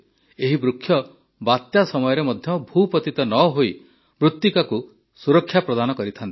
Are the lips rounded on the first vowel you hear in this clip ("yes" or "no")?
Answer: no